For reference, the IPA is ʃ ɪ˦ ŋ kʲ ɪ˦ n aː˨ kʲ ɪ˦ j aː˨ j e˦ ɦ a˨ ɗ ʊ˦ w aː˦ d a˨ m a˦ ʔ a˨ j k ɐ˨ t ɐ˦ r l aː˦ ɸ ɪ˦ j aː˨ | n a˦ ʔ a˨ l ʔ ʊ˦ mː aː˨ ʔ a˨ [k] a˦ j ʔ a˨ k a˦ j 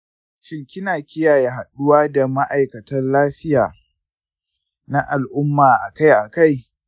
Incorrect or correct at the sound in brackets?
correct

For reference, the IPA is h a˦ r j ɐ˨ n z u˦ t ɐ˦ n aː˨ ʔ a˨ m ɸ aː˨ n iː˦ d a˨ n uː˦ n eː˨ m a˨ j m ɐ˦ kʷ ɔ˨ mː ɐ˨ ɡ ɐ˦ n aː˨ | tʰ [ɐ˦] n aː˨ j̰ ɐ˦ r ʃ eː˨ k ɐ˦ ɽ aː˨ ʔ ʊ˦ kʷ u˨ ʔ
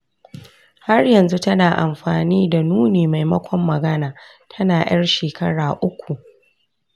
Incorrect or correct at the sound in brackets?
correct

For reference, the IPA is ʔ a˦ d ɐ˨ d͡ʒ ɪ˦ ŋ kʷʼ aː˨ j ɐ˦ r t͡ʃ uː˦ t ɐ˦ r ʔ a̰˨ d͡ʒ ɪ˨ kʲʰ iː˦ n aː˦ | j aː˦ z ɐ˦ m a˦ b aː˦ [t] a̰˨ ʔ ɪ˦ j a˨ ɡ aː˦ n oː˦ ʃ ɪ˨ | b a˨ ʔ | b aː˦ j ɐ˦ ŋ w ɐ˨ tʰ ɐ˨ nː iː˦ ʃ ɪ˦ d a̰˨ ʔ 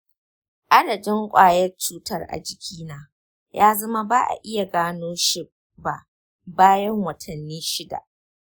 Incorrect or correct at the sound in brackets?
incorrect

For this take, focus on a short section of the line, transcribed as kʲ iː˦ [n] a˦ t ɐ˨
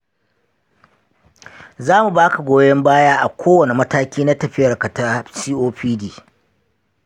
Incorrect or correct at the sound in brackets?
correct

